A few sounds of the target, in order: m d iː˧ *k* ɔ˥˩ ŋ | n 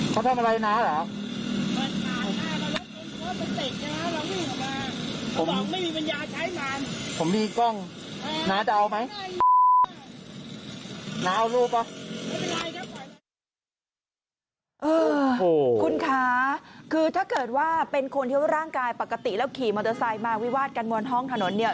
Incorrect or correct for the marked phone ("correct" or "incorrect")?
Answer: correct